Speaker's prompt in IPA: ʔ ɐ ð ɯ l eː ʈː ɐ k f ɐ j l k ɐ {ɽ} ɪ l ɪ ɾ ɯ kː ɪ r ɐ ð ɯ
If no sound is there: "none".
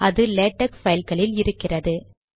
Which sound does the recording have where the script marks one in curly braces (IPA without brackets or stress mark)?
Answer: ɭ